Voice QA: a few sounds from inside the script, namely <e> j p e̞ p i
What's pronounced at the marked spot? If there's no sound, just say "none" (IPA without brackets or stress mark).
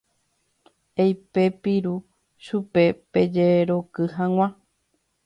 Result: e